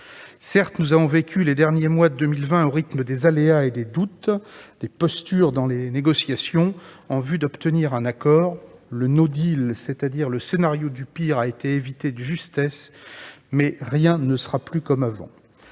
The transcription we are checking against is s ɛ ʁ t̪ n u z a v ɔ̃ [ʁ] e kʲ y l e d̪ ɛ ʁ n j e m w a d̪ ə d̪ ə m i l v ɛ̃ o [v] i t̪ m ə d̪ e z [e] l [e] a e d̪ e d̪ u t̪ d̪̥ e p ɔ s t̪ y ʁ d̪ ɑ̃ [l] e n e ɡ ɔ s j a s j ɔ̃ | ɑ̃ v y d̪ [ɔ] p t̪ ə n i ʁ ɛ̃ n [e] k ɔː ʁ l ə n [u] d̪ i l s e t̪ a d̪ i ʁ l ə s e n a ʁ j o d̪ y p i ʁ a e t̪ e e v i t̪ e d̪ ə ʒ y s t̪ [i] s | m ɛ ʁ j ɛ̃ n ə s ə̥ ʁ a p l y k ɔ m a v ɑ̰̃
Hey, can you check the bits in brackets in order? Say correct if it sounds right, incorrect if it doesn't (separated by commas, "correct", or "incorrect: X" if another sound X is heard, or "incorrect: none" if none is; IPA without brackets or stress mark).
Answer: incorrect: v, incorrect: ʁ, incorrect: a, correct, correct, correct, incorrect: a, incorrect: o, incorrect: ɛ